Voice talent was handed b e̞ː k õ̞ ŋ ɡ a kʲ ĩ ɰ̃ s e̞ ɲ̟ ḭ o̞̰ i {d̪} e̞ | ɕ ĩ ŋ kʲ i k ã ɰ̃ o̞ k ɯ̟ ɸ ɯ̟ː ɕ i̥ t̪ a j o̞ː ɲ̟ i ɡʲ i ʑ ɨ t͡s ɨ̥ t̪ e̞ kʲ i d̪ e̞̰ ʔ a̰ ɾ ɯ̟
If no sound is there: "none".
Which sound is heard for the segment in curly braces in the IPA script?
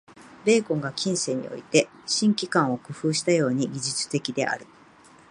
t̪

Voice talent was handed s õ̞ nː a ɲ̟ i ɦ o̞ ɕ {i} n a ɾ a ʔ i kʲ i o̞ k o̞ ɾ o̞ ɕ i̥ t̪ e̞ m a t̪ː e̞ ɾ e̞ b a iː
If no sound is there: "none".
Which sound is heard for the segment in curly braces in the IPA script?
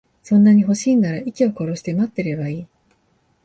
iː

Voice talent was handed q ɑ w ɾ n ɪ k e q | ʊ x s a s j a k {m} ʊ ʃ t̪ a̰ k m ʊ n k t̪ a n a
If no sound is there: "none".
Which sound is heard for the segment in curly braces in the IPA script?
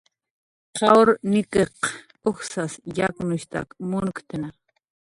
n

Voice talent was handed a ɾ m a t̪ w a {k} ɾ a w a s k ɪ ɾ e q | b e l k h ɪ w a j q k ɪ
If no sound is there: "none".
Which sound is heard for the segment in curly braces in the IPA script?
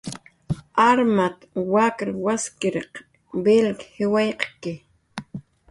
k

